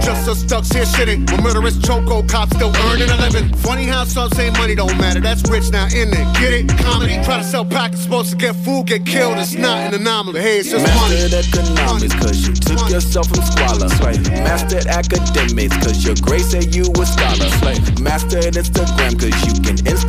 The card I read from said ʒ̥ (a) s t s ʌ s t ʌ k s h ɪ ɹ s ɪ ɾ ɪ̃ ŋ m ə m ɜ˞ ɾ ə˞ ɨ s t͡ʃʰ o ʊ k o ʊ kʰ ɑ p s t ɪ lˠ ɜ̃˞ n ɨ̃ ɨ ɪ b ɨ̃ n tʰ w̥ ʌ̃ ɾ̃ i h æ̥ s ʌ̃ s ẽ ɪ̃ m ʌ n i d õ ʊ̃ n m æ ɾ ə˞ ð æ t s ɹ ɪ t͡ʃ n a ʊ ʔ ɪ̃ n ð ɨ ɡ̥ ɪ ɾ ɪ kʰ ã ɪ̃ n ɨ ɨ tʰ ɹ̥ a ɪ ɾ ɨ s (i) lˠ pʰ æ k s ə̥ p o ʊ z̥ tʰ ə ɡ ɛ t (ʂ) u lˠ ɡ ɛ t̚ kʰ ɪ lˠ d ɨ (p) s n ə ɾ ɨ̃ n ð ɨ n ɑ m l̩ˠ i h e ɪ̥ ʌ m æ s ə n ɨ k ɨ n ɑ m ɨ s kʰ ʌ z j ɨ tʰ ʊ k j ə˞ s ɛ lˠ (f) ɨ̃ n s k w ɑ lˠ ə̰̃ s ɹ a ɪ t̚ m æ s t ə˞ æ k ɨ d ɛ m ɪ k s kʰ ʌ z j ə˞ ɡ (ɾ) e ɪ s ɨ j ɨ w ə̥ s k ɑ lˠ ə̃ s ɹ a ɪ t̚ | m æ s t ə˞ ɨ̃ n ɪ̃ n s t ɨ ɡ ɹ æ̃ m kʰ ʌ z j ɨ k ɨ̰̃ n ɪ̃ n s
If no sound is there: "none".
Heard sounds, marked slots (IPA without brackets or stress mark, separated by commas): ʌ, ɛ, f, t, f, ɹ